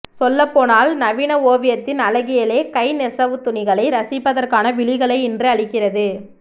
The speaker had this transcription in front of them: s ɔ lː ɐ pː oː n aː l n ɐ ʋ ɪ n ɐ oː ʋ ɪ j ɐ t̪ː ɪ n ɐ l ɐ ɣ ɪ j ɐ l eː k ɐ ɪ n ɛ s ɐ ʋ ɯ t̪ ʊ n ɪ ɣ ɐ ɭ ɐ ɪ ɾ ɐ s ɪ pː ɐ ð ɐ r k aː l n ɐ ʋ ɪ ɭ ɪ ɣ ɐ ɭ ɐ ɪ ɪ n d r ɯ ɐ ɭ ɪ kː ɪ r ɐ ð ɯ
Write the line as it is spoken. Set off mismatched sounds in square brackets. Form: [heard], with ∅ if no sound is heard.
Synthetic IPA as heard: s ɔ lː ɐ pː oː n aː l n ɐ ʋ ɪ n ɐ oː ʋ ɪ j ɐ t̪ː ɪ n ɐ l ɐ ɣ ɪ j ɐ l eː k ɐ ɪ n ɛ s ɐ ʋ ɯ t̪ ʊ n ɪ ɣ ɐ ɭ ɐ ɪ ɾ ɐ s ɪ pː ɐ ð ɐ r k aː [∅] n ɐ ʋ ɪ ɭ ɪ ɣ ɐ ɭ ɐ ɪ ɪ n d r ɯ ɐ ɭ ɪ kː ɪ r ɐ ð ɯ

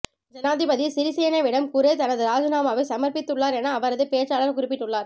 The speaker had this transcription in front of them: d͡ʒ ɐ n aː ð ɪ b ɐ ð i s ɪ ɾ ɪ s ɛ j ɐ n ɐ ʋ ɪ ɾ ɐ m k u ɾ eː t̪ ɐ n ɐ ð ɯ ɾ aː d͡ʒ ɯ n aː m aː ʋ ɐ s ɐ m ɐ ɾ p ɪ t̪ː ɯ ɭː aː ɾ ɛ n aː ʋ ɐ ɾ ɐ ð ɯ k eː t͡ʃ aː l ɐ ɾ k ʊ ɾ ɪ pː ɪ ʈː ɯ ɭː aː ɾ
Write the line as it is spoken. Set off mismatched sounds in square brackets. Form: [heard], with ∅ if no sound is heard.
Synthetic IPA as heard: d͡ʒ ɐ n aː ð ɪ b ɐ ð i s ɪ ɾ ɪ s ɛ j ɐ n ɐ ʋ ɪ [ɽ] ɐ m k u ɾ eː t̪ ɐ n ɐ ð ɯ ɾ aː d͡ʒ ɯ n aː m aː ʋ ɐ s ɐ m ɐ ɾ p ɪ t̪ː ɯ ɭː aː ɾ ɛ n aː ʋ ɐ ɾ ɐ ð ɯ [p] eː t͡ʃ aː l ɐ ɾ k ʊ ɾ ɪ pː ɪ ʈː ɯ ɭː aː ɾ

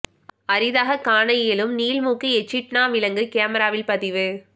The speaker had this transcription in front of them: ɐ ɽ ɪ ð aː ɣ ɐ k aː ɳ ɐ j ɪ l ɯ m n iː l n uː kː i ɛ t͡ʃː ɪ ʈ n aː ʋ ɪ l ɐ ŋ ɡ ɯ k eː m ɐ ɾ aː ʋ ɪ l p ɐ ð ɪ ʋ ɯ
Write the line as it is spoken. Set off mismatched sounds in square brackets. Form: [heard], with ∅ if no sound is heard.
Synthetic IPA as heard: ɐ [ɾ] ɪ ð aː ɣ ɐ k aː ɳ ɐ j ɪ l ɯ m n iː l [m] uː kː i ɛ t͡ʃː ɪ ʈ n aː ʋ ɪ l ɐ ŋ ɡ ɯ k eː m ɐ ɾ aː ʋ ɪ l p ɐ ð ɪ ʋ ɯ

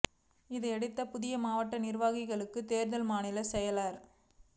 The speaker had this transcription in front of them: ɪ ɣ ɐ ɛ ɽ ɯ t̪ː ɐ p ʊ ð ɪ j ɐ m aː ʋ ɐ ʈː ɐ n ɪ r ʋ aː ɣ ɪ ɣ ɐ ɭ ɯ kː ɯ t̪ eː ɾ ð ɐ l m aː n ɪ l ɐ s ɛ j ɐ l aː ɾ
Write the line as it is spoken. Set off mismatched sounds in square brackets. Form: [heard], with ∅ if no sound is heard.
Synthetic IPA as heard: ɪ [ð] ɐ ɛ ɽ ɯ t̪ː ɐ p ʊ ð ɪ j ɐ m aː ʋ ɐ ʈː ɐ n ɪ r ʋ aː ɣ ɪ ɣ ɐ ɭ ɯ kː ɯ t̪ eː ɾ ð ɐ l m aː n ɪ l ɐ s ɛ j ɐ l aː ɾ

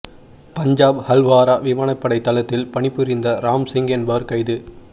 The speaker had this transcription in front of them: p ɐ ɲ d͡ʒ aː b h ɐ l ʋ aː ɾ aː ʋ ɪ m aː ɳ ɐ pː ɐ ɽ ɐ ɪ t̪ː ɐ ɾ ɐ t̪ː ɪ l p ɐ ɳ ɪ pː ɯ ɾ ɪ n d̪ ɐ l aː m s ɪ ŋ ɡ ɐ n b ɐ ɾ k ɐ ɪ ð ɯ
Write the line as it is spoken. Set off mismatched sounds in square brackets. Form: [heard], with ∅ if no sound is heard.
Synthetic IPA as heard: p ɐ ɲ d͡ʒ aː b h ɐ l ʋ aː ɾ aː ʋ ɪ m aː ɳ ɐ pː ɐ ɽ ɐ ɪ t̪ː ɐ [l] ɐ t̪ː ɪ l p ɐ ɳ ɪ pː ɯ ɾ ɪ n d̪ ɐ [ɾ] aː m s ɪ ŋ ɡ ɐ n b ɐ ɾ k ɐ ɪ ð ɯ

